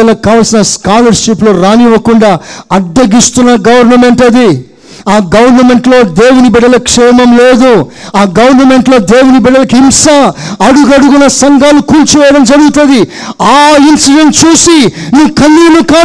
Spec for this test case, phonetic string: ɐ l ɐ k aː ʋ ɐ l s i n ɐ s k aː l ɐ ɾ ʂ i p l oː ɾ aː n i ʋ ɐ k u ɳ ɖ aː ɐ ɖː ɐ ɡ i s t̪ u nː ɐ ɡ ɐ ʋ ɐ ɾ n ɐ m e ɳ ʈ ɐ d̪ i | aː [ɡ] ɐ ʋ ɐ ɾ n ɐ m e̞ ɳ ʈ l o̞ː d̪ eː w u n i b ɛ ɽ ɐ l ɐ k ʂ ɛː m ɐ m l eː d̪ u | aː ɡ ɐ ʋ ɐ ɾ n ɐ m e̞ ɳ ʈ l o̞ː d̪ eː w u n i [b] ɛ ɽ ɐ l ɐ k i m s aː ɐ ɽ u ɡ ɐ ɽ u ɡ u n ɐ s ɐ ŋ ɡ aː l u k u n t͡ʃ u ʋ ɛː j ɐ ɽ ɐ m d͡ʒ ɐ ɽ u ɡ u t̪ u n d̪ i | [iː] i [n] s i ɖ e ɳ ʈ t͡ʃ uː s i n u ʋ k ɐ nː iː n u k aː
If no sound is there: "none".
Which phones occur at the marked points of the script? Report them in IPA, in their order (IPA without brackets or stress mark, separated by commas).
ɡ, b, aː, n